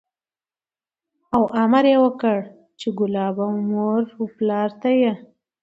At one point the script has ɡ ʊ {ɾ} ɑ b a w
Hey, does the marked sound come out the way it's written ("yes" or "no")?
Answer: no